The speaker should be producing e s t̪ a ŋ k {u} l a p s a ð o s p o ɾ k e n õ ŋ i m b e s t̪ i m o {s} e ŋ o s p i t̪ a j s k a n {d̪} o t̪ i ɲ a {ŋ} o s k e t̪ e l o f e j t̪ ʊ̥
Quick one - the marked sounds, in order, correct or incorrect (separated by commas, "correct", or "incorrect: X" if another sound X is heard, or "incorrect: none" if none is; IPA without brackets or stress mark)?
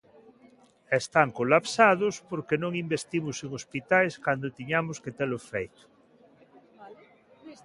incorrect: o, correct, correct, incorrect: m